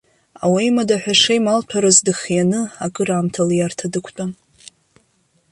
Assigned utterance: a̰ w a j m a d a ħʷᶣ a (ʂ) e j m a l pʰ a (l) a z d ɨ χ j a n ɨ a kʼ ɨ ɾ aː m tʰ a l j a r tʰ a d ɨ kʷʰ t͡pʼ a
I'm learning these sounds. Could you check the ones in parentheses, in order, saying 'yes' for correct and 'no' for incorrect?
yes, no

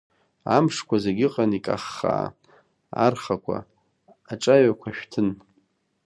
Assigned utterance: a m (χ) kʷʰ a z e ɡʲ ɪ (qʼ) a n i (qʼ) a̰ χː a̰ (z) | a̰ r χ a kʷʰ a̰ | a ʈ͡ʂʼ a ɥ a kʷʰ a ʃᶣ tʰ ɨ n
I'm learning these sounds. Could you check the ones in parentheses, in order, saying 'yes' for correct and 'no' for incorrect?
no, yes, no, no

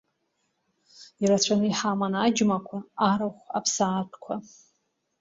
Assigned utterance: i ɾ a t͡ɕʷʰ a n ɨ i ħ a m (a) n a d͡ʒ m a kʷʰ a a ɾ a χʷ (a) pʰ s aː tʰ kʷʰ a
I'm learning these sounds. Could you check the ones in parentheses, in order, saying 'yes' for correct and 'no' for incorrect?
yes, yes

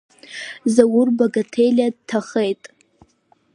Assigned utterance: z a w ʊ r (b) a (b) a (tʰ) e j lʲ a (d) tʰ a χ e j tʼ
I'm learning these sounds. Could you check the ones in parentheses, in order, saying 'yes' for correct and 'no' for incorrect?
yes, no, yes, yes

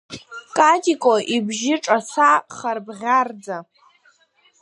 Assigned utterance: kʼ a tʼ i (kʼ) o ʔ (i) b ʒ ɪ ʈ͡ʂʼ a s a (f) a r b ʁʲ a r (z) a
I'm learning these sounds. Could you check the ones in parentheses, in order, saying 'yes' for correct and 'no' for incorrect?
yes, yes, no, no

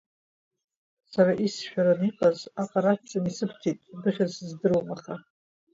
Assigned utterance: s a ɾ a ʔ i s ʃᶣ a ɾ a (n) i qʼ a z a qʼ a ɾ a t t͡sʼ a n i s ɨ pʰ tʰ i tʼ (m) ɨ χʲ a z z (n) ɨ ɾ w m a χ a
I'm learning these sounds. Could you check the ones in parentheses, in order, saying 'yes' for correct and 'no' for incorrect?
yes, no, no

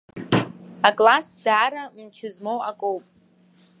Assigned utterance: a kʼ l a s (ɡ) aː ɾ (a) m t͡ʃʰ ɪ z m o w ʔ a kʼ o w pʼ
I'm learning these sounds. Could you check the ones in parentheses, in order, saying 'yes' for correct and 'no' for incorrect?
no, yes

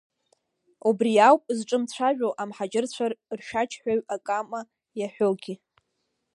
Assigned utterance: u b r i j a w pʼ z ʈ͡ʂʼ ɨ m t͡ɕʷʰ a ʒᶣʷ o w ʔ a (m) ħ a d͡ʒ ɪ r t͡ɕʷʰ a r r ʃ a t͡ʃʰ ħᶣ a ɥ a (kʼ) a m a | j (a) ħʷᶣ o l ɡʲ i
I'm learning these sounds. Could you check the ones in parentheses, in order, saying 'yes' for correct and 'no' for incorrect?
yes, yes, yes

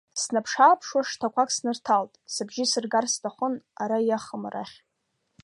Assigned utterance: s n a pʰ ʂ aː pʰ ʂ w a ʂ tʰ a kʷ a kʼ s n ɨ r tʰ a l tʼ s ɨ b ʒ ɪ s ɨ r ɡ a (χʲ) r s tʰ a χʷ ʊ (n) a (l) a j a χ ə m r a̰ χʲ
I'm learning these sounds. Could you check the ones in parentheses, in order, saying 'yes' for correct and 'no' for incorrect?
no, yes, no

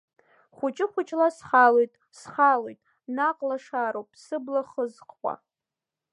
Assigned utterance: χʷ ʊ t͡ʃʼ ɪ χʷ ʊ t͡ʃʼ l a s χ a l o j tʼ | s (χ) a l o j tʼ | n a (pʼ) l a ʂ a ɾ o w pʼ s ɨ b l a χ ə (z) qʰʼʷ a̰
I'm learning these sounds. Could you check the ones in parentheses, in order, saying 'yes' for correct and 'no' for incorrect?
yes, no, yes

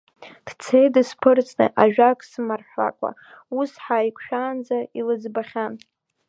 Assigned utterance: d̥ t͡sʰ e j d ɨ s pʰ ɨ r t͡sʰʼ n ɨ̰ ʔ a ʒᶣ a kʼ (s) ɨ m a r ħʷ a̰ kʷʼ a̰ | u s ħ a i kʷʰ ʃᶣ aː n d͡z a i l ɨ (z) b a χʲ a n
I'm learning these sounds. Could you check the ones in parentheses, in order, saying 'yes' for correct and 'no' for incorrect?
yes, no

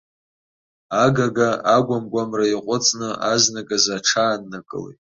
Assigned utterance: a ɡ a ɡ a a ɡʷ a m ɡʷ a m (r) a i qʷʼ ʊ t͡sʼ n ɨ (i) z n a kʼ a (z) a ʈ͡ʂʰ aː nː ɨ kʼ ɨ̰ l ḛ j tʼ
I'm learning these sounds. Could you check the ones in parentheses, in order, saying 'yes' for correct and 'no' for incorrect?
yes, no, yes

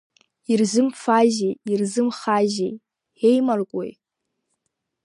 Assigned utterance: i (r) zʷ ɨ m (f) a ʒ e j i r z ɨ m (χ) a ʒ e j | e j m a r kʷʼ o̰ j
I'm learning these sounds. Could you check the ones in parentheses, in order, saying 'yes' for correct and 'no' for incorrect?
yes, yes, yes

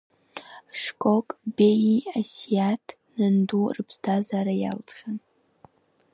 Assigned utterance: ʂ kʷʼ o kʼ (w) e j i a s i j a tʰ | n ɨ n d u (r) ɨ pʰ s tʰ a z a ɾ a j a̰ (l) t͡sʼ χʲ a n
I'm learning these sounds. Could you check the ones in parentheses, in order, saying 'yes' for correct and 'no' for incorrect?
no, yes, yes

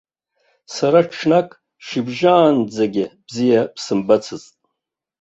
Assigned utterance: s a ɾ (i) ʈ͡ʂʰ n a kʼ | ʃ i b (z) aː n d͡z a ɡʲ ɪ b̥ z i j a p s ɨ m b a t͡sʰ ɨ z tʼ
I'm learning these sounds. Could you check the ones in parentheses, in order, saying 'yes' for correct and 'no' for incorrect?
no, no

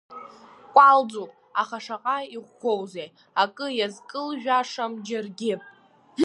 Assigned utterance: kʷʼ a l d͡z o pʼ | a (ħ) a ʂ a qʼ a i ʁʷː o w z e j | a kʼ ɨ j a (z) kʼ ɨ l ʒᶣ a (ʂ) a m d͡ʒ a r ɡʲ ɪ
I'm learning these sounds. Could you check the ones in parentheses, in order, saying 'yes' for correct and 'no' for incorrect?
no, yes, yes

